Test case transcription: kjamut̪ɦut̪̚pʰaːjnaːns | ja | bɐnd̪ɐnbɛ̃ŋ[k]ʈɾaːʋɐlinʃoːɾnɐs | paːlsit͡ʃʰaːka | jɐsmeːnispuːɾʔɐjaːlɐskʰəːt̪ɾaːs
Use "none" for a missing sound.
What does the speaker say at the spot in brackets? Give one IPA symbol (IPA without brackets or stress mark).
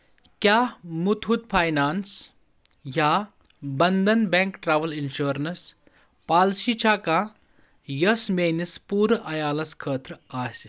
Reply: k